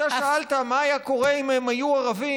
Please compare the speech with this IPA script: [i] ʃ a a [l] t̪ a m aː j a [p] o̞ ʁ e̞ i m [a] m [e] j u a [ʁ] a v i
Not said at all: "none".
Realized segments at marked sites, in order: a, l, k, e, a, ʁ

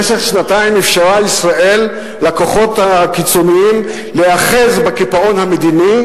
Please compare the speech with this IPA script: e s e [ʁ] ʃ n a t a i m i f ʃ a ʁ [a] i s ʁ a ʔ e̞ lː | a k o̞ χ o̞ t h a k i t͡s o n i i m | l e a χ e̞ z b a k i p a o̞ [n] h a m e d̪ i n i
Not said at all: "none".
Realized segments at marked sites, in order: χ, a, n

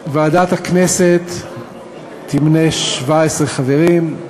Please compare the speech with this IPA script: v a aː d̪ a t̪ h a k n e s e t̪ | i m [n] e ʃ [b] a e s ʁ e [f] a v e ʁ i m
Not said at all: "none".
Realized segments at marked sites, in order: n, v, χ

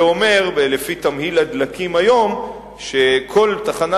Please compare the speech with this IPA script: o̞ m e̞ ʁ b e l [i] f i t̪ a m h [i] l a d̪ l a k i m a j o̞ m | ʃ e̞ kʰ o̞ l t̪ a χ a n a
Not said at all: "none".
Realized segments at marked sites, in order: e, i

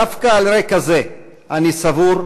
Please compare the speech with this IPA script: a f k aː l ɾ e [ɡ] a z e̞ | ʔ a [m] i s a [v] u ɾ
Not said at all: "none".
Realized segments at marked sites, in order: k, n, v

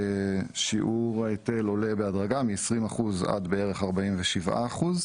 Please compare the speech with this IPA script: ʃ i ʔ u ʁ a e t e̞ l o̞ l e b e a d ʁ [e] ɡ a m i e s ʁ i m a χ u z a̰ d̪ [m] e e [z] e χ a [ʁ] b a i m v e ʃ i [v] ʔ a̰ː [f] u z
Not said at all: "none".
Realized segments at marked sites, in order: a, b, ʁ, ʁ, v, χ

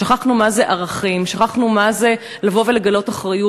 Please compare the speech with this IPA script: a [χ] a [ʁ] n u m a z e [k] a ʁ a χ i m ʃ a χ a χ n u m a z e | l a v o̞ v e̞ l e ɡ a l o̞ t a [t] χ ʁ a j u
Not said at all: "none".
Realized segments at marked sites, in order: χ, χ, ʔ, none

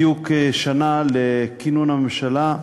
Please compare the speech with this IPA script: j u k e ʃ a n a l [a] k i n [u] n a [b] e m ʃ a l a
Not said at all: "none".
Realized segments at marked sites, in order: e, u, m

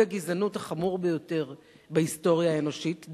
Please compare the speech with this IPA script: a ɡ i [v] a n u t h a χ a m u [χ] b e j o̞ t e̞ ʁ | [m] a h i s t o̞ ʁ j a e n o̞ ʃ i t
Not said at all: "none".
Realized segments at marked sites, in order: z, ʁ, b

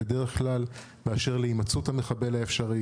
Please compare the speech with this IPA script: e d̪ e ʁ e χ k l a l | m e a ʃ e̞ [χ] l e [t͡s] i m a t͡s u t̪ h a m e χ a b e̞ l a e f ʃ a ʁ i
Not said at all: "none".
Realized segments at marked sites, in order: ʁ, none

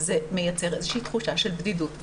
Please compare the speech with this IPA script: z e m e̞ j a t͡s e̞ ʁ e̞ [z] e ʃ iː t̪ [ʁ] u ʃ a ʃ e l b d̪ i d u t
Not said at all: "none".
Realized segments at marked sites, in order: z, χ

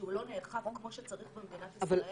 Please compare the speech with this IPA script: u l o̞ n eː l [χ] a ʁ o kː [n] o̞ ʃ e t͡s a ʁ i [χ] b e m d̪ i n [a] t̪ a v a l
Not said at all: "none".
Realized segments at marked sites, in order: χ, m, χ, a

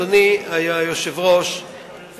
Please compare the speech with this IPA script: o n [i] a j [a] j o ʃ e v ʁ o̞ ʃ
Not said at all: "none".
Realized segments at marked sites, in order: i, a

